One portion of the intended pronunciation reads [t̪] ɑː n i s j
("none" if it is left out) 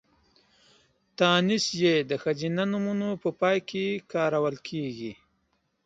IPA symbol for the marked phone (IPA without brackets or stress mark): t̪